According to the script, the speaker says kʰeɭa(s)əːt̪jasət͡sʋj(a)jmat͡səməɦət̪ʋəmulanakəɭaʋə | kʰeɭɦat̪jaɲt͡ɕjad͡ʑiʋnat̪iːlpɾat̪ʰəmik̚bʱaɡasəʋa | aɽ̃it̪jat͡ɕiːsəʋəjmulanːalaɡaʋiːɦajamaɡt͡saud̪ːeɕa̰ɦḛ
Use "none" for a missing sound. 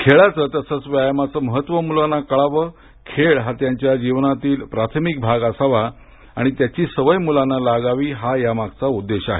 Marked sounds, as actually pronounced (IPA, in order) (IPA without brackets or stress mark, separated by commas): t͡s, a